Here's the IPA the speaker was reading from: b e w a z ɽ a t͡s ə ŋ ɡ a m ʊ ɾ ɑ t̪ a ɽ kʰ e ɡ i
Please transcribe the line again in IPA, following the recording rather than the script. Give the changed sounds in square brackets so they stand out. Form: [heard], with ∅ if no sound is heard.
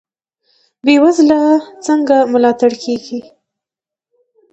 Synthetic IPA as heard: b e w a z [l] a t͡s ə ŋ ɡ a m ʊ [l] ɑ t̪ a ɽ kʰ e ɡ i